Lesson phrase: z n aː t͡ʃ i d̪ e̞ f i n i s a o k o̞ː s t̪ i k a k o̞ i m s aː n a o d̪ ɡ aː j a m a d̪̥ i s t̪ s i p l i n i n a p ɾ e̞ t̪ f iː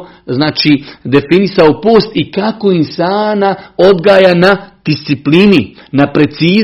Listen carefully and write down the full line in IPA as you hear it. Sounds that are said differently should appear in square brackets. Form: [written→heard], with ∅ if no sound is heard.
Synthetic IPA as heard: z n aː t͡ʃ i d̪ e̞ f i n i s a o [k→p] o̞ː s t̪ i k a k o̞ i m s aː n a o d̪ ɡ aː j a [m→n] a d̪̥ i s t̪ s i p l i n i n a p ɾ e̞ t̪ [f→s] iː